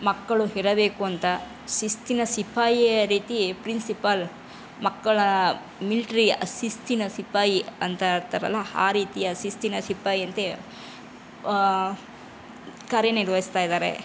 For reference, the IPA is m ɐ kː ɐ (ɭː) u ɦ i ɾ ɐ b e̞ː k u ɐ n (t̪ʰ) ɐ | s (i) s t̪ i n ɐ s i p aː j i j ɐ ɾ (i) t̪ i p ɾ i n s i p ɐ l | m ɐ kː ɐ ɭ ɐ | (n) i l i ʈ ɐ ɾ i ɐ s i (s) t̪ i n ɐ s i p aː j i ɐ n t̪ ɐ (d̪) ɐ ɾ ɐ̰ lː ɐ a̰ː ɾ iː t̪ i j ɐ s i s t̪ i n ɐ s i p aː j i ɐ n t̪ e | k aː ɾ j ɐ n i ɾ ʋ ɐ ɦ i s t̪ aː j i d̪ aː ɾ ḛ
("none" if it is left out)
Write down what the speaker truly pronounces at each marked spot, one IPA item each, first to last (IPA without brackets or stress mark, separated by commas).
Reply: ɭ, t̪, i, iː, m, s, t̪